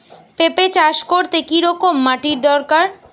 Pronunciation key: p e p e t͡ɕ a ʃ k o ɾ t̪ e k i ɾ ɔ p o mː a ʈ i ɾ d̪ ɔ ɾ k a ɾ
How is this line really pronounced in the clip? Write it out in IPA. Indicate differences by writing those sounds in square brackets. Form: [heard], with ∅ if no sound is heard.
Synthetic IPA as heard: p e p e t͡ɕ a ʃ k o ɾ t̪ e k i ɾ ɔ [k] o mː a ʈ i ɾ d̪ ɔ ɾ k a ɾ